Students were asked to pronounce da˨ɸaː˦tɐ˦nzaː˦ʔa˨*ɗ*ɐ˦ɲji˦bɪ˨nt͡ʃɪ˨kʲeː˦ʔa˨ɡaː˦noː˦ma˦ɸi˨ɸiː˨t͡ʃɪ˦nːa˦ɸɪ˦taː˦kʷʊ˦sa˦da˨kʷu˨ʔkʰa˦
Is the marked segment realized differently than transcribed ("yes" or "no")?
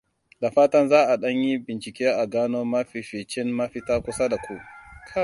no